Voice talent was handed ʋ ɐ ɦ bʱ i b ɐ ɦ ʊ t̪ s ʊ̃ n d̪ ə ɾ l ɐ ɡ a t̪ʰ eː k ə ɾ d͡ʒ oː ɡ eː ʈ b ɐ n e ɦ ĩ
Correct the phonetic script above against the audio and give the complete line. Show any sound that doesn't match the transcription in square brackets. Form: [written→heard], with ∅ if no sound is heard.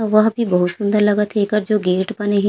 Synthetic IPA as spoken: ʋ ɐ ɦ bʱ i b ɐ ɦ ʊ t̪ s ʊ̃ n d̪ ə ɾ l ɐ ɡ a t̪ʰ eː k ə ɾ d͡ʒ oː ɡ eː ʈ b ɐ n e ɦ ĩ